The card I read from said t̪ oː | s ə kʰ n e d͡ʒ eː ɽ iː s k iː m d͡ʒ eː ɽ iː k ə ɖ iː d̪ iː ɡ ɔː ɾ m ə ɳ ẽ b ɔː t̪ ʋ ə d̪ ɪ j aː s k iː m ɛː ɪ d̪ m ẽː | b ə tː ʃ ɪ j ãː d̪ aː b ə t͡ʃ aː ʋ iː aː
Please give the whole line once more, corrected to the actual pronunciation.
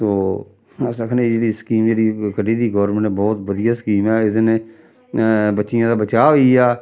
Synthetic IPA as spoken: t̪ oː | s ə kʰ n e d͡ʒ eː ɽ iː s k iː m d͡ʒ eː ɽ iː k ə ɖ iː d̪ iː ɡ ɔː ɾ m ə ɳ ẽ b ɔː t̪ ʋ ə d̪ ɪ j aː s k iː m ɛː ɪ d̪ n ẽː | b ə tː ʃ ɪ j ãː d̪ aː b ə t͡ʃ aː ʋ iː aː